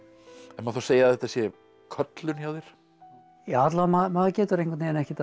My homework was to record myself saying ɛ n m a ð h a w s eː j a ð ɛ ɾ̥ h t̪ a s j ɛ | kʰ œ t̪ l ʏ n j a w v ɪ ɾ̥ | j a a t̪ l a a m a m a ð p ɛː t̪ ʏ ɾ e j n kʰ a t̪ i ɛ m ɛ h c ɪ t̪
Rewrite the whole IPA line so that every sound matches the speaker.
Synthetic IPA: ɛ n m a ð θ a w s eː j a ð ɛ h t̪ a s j ɛ | kʰ œ t̪ l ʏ n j a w ð ɪ ɾ̥ | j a a t̪ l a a m a m a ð c ɛː t̪ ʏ ɾ e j ŋ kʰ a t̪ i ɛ n ɛ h c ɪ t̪